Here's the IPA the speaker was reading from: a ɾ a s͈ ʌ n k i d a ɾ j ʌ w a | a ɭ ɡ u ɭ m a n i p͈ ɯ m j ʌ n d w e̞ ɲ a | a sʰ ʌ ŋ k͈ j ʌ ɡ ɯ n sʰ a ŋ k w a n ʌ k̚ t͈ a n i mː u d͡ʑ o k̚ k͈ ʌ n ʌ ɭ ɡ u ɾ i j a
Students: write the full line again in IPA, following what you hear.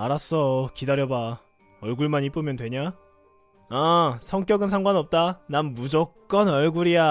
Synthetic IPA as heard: a ɾ a s͈ ʌ k i d a ɾ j ʌ b a | ʌ ɭ ɡ u ɭ m a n i p͈ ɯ m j ʌ n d w e̞ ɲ a | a sʰ ʌ ŋ k͈ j ʌ ɡ ɯ n sʰ a ŋ ɡ w a n ʌ p̚ t͈ a n a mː u d͡ʑ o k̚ k͈ ʌ n ʌ ɭ ɡ u ɾ i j a